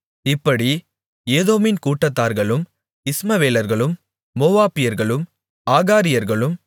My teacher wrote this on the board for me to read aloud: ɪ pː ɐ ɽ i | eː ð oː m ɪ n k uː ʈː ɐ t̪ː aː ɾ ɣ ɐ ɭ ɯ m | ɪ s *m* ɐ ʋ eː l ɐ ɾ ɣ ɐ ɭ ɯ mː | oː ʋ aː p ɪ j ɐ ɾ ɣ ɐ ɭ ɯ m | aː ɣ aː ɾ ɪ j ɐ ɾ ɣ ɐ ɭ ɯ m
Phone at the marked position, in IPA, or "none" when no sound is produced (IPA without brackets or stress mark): m